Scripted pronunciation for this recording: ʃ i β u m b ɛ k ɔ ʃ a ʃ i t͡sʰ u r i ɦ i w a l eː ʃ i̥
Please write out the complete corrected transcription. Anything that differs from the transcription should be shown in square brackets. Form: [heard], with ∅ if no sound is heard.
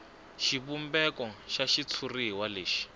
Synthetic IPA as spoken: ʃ i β u m b ɛ k ɔ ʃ a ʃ i t͡sʰ u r i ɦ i w a l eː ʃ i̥